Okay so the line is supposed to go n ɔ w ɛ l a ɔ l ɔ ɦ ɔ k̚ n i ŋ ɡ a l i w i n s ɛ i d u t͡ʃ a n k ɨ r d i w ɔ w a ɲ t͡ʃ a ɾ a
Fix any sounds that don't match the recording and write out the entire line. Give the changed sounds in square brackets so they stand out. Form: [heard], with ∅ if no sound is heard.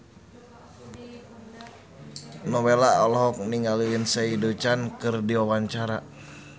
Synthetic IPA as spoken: n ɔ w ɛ l a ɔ l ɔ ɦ ɔ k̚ n i ŋ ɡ a l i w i n s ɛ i d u t͡ʃ a n k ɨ r d i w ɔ w a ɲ t͡ʃ a ɾ a